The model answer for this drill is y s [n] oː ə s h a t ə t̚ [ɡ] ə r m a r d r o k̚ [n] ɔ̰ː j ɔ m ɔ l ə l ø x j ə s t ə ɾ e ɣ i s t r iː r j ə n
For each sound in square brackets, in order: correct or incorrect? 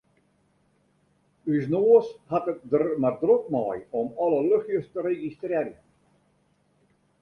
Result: correct, incorrect: d, incorrect: m

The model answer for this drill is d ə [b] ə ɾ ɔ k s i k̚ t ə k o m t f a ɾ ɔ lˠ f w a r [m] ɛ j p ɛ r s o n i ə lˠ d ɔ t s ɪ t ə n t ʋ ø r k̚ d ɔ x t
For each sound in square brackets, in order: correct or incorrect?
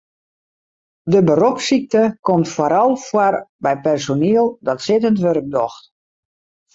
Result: correct, incorrect: b

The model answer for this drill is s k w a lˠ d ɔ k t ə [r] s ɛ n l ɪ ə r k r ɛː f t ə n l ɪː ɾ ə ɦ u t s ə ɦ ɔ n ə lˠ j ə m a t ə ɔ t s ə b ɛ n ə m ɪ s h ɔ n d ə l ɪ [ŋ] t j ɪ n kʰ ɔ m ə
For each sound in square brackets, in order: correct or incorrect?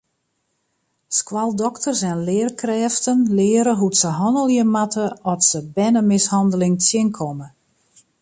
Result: correct, correct

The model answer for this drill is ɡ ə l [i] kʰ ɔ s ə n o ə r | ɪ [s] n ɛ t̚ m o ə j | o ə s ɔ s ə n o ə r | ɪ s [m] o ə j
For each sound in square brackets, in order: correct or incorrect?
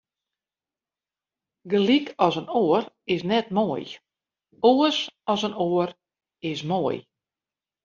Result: correct, correct, correct

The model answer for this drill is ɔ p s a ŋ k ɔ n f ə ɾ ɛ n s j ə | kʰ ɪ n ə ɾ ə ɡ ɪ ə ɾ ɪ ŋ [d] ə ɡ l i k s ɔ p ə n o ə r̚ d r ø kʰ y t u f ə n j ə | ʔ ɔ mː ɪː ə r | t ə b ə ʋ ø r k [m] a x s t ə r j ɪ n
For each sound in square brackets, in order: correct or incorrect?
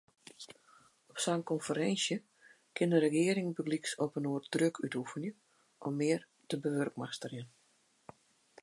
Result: incorrect: b, correct

